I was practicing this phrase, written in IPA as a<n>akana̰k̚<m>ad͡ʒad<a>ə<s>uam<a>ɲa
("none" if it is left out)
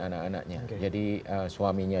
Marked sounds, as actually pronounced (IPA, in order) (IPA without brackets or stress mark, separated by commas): n, ɲ, i, s, i